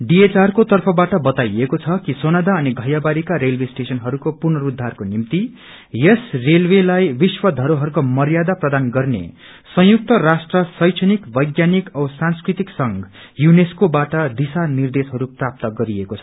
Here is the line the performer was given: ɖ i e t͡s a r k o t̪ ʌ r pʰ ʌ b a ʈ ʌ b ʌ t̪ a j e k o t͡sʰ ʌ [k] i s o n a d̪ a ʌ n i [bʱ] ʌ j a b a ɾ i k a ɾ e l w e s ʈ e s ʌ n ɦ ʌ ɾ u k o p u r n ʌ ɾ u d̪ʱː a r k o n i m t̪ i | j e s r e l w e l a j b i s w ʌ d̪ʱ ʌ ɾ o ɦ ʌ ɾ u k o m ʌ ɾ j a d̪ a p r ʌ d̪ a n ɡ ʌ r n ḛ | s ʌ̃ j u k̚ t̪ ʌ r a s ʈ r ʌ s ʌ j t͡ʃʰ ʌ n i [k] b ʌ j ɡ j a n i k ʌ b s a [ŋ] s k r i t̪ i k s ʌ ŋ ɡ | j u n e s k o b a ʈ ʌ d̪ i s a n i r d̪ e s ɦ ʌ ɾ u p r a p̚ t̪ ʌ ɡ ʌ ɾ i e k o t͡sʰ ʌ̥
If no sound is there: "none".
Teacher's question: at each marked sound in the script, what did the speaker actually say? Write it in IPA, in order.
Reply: k, ɡʱ, k, n

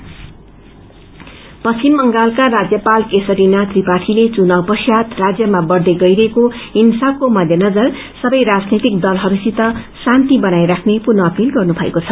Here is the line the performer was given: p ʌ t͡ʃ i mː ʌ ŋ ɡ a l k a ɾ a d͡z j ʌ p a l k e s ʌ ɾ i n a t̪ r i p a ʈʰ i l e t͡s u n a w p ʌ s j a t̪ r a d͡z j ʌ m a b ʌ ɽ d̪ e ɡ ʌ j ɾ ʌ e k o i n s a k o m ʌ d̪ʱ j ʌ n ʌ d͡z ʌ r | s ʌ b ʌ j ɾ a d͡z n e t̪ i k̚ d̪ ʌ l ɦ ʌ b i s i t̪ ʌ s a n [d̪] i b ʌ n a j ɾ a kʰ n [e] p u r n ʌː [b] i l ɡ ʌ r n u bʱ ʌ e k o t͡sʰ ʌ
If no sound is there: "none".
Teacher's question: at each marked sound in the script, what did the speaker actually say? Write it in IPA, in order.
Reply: t̪, e, p

